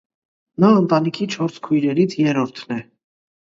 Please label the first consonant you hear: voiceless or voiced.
voiced